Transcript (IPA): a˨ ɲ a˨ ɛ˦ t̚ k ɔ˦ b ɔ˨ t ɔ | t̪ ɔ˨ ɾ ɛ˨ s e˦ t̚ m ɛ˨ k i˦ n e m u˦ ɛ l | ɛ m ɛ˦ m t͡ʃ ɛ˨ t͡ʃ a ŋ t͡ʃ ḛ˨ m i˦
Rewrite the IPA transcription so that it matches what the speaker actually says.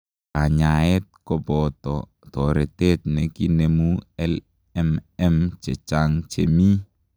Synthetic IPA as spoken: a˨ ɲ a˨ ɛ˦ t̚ k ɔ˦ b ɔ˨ t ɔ | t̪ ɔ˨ ɾ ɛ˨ t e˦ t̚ n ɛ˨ k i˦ n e m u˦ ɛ l | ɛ m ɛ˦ m t͡ʃ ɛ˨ t͡ʃ a ŋ t͡ʃ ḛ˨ m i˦